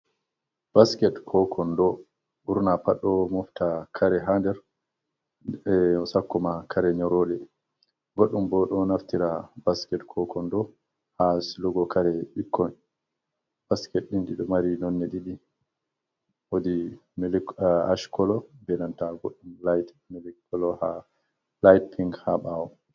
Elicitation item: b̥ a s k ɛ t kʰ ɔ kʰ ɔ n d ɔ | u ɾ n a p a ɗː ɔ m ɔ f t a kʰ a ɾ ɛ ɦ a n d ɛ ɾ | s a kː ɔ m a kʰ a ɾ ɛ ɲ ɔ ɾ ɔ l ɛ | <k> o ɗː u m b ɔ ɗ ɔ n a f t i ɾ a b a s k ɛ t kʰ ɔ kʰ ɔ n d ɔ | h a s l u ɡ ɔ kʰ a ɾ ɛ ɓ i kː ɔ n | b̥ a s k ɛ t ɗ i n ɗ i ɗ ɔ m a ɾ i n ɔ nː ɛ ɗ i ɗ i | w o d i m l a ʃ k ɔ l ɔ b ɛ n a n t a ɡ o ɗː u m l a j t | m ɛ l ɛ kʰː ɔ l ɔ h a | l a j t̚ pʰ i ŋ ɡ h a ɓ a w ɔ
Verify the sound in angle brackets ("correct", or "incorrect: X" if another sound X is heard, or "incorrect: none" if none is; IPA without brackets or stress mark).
incorrect: ɡ